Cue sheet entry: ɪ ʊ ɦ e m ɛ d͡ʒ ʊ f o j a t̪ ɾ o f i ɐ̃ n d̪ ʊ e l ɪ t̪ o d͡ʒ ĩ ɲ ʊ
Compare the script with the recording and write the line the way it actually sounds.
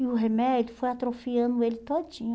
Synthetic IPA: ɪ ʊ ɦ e m ɛ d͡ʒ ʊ f o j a t̪ ɾ o f i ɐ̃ n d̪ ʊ e l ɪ t̪ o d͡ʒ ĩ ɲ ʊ